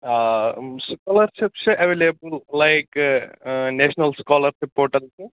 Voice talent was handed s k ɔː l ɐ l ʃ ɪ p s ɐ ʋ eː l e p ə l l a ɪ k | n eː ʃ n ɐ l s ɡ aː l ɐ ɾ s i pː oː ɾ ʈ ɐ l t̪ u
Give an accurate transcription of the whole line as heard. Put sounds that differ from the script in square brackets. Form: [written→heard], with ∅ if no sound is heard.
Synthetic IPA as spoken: s k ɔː l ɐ [l→ɾ] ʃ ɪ p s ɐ ʋ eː l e [p→b] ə l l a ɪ k | n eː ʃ n ɐ l s [ɡ→k] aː l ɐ ɾ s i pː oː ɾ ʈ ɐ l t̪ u